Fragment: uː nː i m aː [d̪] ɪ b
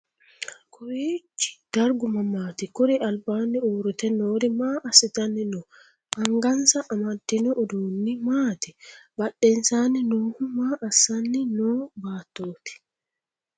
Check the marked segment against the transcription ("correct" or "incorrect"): incorrect